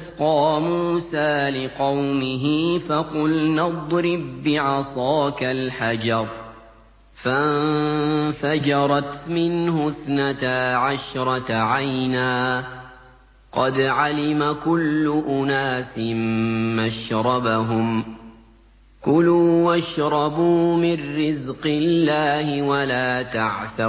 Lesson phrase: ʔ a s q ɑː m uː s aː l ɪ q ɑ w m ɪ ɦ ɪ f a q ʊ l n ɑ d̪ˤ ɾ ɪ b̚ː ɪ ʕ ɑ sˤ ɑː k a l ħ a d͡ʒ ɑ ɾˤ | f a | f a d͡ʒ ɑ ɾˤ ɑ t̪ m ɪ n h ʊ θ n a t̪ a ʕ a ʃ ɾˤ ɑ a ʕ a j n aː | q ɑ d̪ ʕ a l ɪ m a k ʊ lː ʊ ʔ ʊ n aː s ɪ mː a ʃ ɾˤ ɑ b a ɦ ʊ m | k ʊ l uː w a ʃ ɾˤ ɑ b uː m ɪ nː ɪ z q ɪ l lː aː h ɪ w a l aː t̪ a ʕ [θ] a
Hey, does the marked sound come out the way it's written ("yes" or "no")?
yes